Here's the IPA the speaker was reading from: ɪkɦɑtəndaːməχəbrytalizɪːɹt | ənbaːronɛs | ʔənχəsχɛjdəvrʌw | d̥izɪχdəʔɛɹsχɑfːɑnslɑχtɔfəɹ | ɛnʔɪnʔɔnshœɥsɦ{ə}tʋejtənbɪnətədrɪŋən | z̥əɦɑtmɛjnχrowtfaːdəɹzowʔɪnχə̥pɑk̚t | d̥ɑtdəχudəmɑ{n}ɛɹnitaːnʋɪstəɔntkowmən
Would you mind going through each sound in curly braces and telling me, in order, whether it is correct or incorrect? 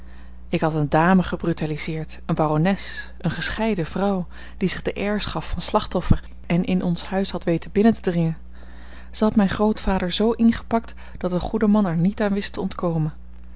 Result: incorrect: ɑ, correct

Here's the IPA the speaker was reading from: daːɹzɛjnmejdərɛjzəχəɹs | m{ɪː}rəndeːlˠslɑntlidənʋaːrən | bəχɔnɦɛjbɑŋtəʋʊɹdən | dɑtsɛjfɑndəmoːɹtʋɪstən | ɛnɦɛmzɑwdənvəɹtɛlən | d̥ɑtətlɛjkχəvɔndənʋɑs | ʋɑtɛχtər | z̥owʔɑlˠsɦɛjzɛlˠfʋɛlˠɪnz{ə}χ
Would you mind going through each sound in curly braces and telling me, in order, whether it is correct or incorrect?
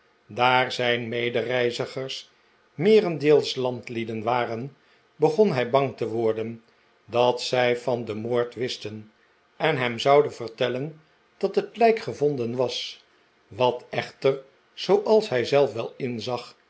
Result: correct, incorrect: ɑ

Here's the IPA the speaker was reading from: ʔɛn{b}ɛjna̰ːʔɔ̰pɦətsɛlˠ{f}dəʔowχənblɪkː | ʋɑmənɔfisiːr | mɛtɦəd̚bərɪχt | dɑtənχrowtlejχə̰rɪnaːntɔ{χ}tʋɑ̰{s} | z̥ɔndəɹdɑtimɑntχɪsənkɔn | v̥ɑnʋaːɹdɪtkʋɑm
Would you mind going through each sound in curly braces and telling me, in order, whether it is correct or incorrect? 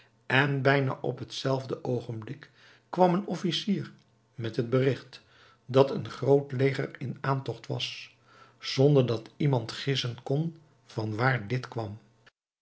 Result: correct, incorrect: v, correct, correct

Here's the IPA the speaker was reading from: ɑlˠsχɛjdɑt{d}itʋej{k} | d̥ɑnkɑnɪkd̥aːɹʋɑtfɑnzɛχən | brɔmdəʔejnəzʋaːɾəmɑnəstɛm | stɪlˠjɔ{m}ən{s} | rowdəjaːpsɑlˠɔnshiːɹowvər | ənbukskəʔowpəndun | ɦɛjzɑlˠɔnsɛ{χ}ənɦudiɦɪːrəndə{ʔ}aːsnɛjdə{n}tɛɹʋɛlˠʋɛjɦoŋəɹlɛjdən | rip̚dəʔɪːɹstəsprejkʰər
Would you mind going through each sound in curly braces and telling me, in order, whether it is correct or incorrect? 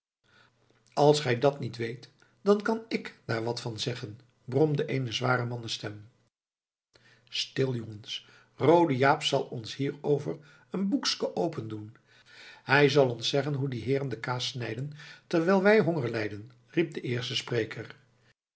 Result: incorrect: n, incorrect: t, incorrect: ŋ, correct, correct, incorrect: k, correct

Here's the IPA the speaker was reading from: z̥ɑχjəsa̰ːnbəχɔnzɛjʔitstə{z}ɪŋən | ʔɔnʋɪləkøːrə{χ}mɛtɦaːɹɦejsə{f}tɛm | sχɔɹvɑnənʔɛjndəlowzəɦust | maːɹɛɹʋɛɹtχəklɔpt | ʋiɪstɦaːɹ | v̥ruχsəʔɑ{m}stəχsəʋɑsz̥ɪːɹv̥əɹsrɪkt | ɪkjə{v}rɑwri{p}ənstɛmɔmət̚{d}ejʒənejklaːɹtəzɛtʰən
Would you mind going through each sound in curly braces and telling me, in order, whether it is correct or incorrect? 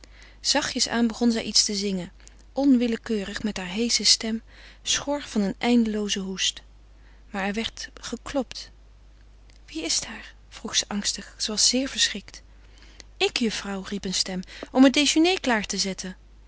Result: correct, correct, incorrect: s, incorrect: ŋ, incorrect: f, correct, correct

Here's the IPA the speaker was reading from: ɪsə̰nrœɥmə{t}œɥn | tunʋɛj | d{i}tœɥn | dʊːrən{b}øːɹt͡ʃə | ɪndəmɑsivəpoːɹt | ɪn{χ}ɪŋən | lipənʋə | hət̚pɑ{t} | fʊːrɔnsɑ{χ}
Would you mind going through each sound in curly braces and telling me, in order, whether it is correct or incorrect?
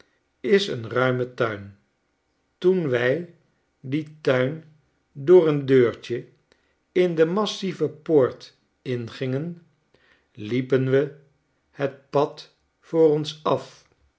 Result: correct, correct, incorrect: d, correct, correct, incorrect: f

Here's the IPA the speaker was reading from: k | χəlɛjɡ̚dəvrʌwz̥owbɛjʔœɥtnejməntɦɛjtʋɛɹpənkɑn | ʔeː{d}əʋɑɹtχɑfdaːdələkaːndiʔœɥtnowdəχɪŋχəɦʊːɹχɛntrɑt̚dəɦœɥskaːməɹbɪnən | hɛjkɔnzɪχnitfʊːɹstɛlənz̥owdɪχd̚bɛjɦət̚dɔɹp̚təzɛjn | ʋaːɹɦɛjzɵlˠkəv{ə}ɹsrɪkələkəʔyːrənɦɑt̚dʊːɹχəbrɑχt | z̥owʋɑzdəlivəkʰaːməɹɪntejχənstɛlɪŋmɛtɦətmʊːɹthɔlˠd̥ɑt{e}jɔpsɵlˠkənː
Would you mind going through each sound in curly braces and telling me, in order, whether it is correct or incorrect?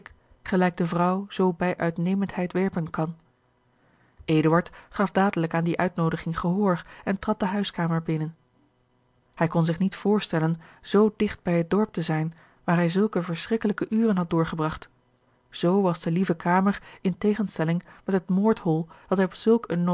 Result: correct, correct, incorrect: ɛ

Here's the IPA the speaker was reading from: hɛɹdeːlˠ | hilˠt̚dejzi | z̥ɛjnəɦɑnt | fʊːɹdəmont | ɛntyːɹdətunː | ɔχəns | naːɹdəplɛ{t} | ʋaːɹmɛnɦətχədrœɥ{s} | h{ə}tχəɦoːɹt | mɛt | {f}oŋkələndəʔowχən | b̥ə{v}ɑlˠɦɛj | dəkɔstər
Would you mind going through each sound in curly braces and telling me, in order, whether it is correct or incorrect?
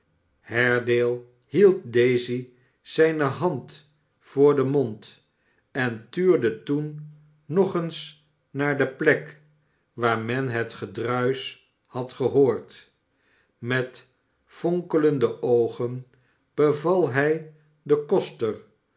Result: incorrect: k, correct, incorrect: ɑ, correct, correct

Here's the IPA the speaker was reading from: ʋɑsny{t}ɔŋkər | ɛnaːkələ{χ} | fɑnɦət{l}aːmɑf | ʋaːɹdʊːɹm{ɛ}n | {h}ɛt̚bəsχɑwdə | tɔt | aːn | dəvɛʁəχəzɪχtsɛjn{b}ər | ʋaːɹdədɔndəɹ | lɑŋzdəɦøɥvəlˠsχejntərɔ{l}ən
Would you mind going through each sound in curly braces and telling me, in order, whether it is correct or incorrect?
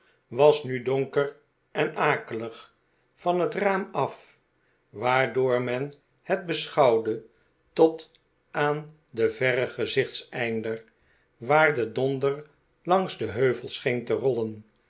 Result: incorrect: d, correct, incorrect: r, correct, correct, incorrect: d, correct

